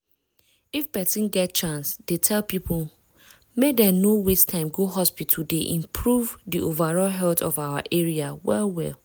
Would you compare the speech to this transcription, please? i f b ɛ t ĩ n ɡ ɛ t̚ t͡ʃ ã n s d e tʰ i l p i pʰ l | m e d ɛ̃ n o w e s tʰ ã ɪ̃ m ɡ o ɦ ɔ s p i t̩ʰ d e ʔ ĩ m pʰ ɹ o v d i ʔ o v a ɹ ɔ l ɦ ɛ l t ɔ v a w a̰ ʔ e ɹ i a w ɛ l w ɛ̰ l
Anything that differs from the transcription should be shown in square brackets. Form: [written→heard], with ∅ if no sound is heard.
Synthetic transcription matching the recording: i f b ɛ t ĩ n ɡ ɛ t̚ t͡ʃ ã n s d e tʰ [i→ɛ] l p i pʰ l | m e d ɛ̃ n o w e s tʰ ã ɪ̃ m ɡ o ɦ ɔ s p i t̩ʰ d e ʔ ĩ m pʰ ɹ [o→u] v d i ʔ o v a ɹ ɔ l ɦ ɛ l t ɔ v a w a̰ ʔ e ɹ i a w ɛ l w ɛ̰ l